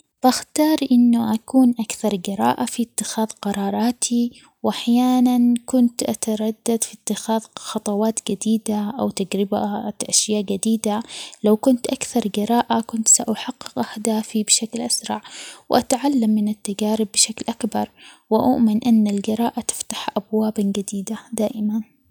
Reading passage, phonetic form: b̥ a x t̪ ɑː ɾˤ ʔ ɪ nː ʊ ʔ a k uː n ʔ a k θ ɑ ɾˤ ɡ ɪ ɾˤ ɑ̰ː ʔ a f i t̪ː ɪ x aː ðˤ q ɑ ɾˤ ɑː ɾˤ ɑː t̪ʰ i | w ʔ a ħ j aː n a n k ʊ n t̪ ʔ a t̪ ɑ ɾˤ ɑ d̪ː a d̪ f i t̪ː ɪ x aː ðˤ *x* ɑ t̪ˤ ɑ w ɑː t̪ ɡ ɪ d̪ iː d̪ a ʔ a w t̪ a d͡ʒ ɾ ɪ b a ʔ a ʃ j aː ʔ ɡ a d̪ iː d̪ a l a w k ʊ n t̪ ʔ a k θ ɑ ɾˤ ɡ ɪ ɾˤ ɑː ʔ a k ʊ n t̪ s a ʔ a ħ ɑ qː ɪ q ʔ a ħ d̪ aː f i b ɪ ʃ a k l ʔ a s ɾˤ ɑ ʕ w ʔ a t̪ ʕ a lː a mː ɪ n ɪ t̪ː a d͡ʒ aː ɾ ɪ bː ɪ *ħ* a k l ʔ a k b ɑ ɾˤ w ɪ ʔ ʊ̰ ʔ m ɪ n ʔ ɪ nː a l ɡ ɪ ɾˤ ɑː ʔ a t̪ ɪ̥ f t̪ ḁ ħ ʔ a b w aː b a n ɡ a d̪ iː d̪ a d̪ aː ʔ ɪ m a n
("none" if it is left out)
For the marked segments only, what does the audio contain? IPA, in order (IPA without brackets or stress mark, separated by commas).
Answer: x, ʃ